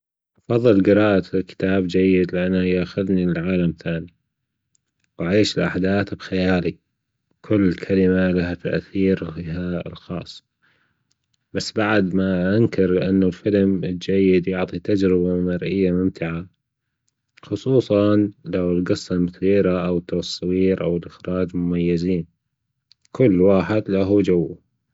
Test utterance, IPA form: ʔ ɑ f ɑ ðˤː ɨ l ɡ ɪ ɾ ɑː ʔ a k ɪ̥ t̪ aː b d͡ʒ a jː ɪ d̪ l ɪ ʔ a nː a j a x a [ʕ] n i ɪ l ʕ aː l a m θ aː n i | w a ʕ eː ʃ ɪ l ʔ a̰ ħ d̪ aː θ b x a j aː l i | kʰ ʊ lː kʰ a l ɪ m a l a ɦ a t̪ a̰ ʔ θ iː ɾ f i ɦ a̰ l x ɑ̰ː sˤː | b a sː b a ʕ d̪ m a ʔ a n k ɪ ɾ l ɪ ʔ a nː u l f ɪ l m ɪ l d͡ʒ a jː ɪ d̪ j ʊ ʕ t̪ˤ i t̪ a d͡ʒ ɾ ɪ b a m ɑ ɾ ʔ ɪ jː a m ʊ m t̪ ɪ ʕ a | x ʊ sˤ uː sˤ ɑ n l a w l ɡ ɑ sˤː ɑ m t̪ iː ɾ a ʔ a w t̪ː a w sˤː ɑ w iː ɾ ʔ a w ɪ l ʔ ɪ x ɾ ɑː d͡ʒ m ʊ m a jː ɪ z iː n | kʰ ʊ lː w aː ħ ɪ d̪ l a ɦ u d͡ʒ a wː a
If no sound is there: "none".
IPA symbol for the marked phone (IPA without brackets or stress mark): ð